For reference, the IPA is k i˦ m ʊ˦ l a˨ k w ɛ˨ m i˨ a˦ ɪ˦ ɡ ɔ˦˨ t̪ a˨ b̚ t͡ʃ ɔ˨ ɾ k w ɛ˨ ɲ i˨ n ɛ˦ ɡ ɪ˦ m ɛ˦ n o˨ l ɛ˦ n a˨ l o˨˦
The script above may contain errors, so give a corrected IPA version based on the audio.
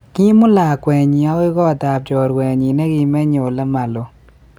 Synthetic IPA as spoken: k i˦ m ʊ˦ l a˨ k w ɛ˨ ɲ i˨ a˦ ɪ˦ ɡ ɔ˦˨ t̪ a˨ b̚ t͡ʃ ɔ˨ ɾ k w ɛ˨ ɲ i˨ n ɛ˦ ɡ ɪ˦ m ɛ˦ ɲ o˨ l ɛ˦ m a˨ l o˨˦